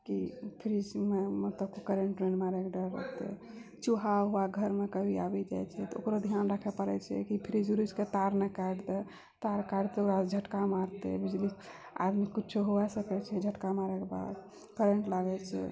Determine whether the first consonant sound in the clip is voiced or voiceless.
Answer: voiceless